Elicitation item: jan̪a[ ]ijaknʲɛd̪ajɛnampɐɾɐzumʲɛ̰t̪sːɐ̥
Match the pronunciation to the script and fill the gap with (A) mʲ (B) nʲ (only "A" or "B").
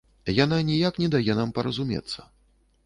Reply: B